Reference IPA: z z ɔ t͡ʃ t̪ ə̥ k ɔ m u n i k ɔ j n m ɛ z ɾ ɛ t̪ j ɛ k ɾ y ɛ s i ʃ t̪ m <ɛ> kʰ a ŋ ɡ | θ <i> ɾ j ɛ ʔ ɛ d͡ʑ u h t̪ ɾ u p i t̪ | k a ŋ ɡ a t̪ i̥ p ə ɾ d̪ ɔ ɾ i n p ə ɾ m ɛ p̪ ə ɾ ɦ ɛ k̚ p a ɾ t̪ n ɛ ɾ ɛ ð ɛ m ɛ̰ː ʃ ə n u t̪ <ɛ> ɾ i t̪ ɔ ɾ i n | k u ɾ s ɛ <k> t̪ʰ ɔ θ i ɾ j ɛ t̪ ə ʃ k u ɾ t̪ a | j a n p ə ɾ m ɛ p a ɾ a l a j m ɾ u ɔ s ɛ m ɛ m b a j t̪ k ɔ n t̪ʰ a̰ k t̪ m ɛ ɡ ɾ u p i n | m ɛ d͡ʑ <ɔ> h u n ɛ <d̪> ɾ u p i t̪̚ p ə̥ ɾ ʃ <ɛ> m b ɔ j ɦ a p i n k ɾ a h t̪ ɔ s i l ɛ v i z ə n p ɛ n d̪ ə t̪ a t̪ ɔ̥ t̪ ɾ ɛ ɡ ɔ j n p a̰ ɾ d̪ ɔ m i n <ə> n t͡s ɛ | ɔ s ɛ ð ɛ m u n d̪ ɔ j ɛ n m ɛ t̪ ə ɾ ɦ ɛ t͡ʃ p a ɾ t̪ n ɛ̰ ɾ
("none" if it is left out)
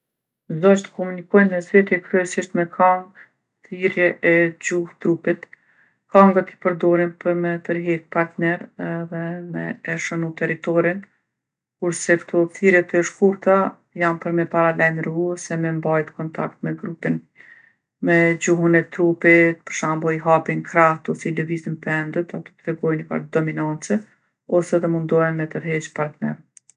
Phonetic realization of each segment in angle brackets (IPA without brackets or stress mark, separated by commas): ɛ, i, ɛ, k, u, t̪, a, a